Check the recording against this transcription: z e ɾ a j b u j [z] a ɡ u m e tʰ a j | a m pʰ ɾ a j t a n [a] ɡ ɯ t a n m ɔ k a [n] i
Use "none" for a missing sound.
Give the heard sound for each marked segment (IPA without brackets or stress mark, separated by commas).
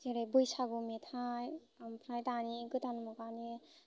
s, i, n